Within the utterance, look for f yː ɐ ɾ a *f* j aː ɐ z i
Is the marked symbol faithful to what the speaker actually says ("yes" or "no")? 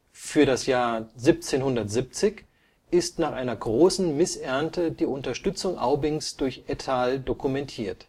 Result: no